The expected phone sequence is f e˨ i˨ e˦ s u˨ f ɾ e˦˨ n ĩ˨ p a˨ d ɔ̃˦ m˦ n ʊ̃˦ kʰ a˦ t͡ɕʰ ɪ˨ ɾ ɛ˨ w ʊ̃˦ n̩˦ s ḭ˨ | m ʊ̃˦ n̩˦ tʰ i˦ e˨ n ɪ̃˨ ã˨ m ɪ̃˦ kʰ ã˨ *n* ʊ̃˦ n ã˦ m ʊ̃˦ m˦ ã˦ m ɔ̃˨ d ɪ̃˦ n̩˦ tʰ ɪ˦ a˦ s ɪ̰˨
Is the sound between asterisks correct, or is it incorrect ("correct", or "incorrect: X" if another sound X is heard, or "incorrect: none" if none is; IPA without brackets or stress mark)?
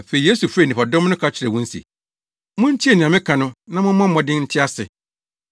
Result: correct